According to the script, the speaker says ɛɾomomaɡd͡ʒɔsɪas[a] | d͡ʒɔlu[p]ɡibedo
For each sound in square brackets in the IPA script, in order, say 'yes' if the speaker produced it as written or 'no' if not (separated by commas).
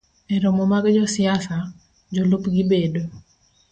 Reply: yes, yes